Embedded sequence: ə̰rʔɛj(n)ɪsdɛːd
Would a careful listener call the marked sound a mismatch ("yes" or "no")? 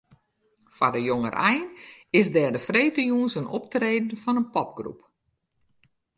no